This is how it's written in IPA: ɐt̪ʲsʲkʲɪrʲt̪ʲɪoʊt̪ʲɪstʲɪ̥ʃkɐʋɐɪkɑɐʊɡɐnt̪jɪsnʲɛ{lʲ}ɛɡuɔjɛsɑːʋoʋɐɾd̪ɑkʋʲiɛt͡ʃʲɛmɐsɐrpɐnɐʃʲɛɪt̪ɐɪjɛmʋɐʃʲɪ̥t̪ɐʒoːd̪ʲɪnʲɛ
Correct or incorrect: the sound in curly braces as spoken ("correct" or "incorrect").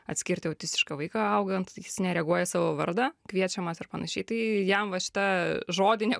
incorrect